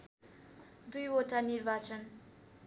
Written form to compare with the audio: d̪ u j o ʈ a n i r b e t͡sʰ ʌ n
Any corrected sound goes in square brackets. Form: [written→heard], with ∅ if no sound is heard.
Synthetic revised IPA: d̪ u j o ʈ a n i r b [e→a] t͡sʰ ʌ n